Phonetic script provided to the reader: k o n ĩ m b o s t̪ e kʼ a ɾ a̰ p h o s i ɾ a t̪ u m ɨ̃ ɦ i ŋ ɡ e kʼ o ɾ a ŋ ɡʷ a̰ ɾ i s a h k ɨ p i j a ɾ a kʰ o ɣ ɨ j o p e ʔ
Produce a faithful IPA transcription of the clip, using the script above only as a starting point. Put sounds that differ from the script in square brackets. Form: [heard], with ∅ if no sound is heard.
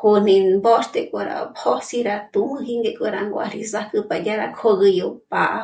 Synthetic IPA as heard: k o n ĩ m b o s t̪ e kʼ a ɾ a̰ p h o s i ɾ a t̪ u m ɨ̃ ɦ i ŋ ɡ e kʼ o ɾ a ŋ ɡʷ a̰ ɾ i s a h k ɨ p [a] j a ɾ a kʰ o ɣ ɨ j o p [a] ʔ